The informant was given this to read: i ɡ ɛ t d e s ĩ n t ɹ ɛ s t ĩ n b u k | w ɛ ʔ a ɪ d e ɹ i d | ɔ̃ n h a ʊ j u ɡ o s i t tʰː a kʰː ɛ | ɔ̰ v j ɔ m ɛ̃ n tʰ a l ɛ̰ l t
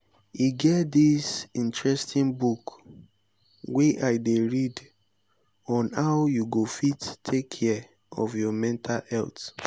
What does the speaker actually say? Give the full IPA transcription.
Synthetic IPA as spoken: i ɡ ɛ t d i s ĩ n t ɹ ɛ s t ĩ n b u k | w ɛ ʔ a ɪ d e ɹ i d | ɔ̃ n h a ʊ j u ɡ o f i t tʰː e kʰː ɛ | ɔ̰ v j ɔ m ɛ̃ n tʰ a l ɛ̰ l t